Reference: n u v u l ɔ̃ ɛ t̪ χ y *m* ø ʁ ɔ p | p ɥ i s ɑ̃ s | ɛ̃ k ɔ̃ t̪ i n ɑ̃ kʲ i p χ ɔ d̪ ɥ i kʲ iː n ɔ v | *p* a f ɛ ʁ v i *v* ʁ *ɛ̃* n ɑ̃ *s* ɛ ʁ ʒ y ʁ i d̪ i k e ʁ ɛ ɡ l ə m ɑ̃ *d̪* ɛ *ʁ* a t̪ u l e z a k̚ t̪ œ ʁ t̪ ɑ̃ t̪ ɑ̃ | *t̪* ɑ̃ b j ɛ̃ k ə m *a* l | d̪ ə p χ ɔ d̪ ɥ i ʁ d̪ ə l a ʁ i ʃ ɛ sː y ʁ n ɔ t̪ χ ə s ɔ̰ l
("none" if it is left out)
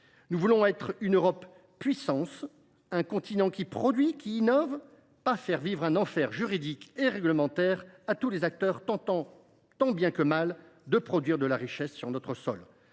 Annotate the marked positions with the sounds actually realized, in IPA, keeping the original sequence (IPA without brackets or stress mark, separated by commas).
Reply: n, p, v, ɛ̃, f, t̪, ʁ, t̪, a